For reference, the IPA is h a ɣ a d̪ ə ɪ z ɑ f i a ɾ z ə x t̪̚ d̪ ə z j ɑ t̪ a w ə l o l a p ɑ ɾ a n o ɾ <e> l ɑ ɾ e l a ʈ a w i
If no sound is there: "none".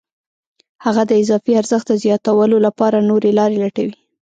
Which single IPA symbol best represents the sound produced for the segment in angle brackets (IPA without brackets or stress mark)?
e